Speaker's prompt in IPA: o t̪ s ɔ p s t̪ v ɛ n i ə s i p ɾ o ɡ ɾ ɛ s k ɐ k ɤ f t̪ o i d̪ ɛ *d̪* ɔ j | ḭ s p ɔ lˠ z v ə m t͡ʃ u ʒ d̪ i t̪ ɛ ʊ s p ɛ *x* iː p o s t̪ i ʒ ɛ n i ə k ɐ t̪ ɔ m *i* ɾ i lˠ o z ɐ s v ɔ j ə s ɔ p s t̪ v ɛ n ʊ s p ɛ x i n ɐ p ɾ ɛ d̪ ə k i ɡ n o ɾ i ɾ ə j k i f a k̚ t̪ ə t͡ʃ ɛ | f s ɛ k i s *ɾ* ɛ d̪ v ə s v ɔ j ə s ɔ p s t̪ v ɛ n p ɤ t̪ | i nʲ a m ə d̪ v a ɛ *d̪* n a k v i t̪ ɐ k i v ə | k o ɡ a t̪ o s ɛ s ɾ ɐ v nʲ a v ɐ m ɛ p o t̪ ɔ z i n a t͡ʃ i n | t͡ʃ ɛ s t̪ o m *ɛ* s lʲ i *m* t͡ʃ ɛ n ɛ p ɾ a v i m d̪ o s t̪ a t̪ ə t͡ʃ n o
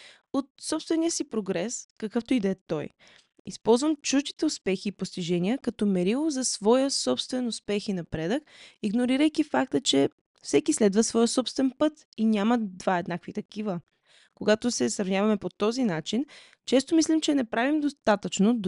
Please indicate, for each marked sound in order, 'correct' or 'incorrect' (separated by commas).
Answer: incorrect, correct, incorrect, incorrect, correct, incorrect, correct